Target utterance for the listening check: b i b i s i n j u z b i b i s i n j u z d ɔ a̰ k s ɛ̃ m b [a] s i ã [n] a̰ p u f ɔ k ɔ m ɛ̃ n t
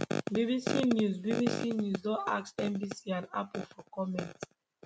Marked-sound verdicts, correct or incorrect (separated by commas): incorrect, correct